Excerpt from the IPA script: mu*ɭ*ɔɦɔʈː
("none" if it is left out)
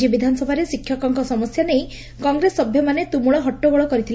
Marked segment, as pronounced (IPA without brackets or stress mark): ɭ